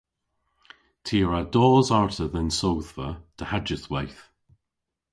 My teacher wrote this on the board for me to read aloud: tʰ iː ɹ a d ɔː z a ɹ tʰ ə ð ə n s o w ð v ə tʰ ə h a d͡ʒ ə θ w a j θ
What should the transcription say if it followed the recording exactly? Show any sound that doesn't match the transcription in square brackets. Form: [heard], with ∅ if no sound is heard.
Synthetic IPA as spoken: tʰ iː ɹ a d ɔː z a ɹ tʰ ə ð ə n s o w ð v ə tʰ ə h a d͡ʒ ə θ w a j θ